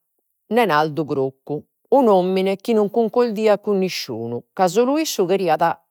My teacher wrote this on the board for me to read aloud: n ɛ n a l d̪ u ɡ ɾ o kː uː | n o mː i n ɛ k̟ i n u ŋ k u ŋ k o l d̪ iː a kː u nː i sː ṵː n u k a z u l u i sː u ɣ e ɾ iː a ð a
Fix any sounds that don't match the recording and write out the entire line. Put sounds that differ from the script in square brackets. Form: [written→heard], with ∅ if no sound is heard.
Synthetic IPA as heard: n ɛ n a l d̪ u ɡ ɾ o kː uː | n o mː i n ɛ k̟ i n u ŋ k u ŋ k o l d̪ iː a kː u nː i [sː→ʃː] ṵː n u k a z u l u i sː u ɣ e ɾ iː a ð a